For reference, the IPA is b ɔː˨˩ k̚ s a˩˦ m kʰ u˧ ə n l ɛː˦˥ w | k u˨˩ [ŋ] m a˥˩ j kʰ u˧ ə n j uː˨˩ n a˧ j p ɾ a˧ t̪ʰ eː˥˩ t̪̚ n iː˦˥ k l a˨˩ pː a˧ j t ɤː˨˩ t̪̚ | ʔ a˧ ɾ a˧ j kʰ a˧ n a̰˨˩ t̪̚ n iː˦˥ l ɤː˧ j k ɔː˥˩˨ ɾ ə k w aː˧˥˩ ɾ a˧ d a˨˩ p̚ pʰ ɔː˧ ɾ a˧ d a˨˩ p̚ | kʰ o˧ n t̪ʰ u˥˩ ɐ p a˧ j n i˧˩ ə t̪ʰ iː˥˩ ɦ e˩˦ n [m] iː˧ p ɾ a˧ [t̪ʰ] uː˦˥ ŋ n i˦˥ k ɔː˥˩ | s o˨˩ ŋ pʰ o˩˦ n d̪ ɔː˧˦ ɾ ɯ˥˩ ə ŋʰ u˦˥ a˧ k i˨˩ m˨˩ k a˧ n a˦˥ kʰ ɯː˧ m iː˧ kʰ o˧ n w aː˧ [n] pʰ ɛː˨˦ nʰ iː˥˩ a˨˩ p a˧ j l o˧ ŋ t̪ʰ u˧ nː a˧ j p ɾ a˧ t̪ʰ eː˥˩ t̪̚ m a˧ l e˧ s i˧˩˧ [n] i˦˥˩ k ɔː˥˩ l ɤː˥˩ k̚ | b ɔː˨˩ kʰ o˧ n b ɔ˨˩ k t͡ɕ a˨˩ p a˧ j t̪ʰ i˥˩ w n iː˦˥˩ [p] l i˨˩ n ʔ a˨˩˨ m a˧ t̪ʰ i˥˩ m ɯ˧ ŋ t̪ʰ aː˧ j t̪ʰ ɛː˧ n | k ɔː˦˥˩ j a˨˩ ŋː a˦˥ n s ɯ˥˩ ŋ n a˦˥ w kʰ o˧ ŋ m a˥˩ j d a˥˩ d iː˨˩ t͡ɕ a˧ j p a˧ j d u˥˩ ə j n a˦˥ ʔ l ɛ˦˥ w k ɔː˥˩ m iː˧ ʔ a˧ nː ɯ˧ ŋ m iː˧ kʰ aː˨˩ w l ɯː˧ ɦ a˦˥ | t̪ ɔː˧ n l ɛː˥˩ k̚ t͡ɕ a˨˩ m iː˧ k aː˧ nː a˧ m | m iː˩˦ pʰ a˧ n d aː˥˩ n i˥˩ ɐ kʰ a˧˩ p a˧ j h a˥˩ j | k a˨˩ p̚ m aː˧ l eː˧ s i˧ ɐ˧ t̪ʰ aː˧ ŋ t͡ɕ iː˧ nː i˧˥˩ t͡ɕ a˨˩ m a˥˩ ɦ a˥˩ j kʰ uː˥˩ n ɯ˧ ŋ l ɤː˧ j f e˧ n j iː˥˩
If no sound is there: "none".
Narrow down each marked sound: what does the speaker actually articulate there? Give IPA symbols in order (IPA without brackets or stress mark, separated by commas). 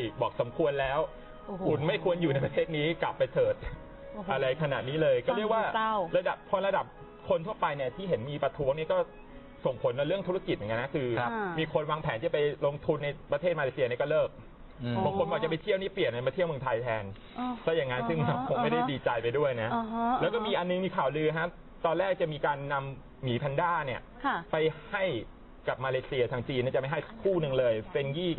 n, m, t̪ʰ, ŋ, n, p